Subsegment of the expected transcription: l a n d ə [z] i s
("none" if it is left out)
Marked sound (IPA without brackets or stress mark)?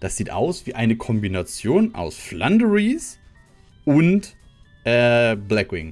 ʁ